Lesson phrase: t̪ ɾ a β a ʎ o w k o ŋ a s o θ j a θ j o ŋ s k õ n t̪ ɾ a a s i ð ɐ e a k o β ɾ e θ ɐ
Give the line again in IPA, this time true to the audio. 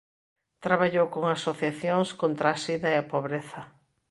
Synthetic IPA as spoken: t̪ ɾ a β a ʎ o w k o ŋ a s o θ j a θ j o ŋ s k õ n t̪ ɾ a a s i ð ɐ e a p o β ɾ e θ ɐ